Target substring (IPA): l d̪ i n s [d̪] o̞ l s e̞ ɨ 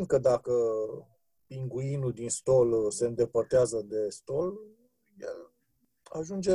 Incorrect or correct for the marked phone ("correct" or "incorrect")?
incorrect